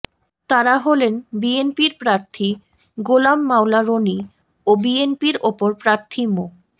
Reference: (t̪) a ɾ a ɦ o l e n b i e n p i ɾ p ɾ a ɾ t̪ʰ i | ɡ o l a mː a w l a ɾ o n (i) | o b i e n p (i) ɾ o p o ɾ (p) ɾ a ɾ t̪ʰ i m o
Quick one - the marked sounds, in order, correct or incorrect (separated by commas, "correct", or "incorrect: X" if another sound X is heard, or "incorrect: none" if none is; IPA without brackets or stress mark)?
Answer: correct, correct, correct, correct